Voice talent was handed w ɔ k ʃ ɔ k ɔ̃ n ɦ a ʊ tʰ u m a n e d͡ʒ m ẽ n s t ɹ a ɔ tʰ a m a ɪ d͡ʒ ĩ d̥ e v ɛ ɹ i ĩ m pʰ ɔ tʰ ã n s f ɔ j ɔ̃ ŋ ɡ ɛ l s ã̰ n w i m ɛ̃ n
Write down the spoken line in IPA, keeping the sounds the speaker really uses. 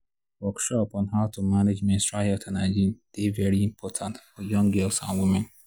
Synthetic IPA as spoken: w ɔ k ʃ ɔ p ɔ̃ n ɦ a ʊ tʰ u m a n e d͡ʒ m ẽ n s t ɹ a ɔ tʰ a n a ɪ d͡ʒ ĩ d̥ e v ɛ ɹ i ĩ m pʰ ɔ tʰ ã n t f ɔ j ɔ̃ ŋ ɡ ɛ l s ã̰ n w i m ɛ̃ n